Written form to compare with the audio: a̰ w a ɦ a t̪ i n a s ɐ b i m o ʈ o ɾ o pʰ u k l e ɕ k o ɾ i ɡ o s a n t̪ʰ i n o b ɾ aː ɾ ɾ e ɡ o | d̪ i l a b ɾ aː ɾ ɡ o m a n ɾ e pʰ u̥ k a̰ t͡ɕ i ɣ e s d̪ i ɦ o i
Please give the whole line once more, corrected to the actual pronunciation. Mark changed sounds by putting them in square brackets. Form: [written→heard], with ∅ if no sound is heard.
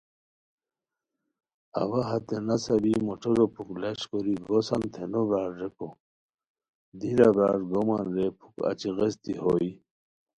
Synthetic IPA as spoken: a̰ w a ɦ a t̪ [i→e] n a s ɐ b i m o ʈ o ɾ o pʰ u k l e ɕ k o ɾ i ɡ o s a n t̪ʰ [i→e] n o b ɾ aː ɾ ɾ e [ɡ→k] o | d̪ i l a b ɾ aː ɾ ɡ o m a n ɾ e pʰ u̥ k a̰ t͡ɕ i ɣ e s [d̪→t̪] i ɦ o i